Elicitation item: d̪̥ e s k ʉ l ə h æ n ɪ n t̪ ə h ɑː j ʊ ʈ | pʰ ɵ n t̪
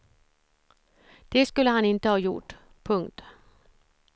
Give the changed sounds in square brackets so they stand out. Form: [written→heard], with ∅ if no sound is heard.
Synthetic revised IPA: d̪̥ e s k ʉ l ə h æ n ɪ n t̪ ə h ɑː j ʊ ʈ | pʰ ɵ [n→ŋ] t̪